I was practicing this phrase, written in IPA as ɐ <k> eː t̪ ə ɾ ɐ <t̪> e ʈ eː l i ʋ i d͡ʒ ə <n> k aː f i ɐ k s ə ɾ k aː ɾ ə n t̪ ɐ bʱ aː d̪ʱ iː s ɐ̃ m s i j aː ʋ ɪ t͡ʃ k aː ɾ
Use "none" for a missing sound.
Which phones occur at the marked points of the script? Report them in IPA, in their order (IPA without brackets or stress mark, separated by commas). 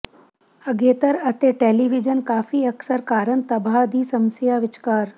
ɡ, t̪, n